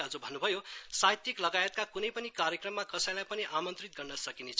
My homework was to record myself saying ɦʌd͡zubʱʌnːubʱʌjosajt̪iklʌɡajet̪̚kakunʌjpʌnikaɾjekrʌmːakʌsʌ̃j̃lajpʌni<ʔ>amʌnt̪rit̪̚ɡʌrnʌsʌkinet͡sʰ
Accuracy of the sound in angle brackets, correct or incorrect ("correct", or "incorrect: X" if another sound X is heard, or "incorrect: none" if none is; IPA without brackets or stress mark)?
correct